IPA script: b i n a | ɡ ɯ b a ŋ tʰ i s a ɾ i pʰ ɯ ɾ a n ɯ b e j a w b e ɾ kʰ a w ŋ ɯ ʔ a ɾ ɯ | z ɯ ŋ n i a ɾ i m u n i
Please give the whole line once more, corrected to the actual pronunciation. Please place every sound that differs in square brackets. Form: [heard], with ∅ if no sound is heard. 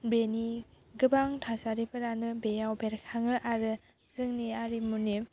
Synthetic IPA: b [e] n [i] | ɡ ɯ b a ŋ tʰ [a] s a ɾ i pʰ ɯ ɾ a n ɯ b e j a w b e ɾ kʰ a [∅] ŋ ɯ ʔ a ɾ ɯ | z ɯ ŋ n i a ɾ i m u n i